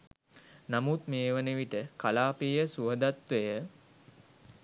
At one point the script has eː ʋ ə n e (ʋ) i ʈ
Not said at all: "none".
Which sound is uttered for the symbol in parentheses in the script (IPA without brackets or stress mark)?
ʋ